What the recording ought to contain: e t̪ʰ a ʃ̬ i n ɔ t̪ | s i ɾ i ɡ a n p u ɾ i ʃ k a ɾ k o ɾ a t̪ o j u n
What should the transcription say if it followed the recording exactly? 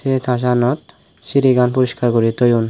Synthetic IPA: e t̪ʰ a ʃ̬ a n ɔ t̪ | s i ɾ i ɡ a n p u ɾ i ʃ k a ɾ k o ɾ i t̪ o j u n